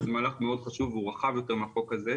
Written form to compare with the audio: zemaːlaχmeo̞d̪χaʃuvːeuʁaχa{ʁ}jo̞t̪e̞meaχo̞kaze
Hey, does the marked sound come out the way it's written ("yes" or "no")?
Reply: no